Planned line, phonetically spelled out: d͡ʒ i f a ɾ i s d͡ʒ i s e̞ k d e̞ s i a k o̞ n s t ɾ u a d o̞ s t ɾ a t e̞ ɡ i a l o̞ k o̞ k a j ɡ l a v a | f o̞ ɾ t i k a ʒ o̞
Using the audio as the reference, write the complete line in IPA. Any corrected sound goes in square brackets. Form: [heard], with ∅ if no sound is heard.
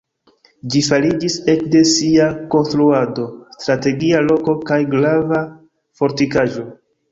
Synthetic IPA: d͡ʒ i f a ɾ i [∅] d͡ʒ i s e̞ k d e̞ s i a k o̞ n s t ɾ u a d o̞ s t ɾ a t e̞ ɡ i a l o̞ k o̞ k a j ɡ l a v a | f o̞ ɾ t i k a ʒ o̞